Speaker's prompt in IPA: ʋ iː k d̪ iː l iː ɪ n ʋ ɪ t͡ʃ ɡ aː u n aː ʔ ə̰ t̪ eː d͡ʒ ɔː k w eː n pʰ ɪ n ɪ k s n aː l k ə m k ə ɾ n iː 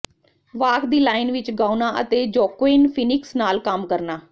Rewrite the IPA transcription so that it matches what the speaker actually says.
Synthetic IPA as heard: ʋ aː k d̪ iː l aː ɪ n ʋ ɪ t͡ʃ ɡ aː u n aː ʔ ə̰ t̪ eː d͡ʒ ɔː k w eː n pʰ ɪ n ɪ k s n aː l k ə m k ə ɾ n aː